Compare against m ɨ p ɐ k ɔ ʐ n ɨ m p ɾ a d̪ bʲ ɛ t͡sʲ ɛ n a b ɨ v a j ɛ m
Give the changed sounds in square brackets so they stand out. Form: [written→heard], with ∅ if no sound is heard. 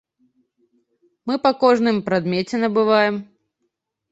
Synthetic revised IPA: m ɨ p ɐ k ɔ ʐ n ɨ m p ɾ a d̪ [bʲ→mʲ] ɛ t͡sʲ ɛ n [a→ɐ] b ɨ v a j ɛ m